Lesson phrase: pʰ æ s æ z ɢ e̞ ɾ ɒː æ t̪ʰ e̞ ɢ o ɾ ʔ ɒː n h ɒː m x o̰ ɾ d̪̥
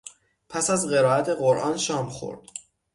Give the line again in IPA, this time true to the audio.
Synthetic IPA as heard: pʰ æ s æ z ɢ e̞ ɾ ɒː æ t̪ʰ e̞ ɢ o ɾ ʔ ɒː n ʃ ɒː m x o̰ ɾ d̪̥

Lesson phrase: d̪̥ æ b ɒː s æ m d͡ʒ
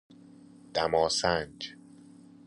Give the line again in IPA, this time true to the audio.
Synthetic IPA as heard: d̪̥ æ m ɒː s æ n d͡ʒ

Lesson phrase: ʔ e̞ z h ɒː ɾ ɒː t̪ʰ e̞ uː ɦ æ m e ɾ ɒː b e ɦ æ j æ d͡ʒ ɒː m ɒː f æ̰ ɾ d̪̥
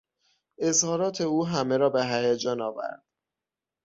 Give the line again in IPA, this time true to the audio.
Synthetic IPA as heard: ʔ e̞ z h ɒː ɾ ɒː t̪ʰ e̞ uː ɦ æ m e ɾ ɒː b e ɦ æ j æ d͡ʒ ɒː n ɒː v æ̰ ɾ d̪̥

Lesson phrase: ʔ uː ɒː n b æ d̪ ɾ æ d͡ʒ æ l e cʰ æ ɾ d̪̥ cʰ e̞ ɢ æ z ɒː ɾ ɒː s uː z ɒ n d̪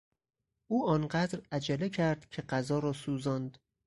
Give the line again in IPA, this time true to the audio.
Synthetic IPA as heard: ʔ uː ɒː n ɢ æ d̪ ɾ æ d͡ʒ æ l e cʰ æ ɾ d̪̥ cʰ e̞ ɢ æ z ɒː ɾ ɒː s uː z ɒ n d̪

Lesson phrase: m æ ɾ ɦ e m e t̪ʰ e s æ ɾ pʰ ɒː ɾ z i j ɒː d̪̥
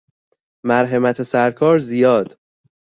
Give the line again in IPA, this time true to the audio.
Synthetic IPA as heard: m æ ɾ ɦ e m æ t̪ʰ e s æ ɾ kʰ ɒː ɾ z i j ɒː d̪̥

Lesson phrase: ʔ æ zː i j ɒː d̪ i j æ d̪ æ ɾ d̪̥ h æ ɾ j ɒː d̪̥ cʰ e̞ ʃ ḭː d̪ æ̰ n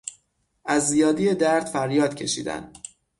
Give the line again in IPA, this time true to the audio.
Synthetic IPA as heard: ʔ æ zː i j ɒː d̪ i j e d̪ æ ɾ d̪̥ f æ ɾ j ɒː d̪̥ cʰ e̞ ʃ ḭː d̪ æ̰ n

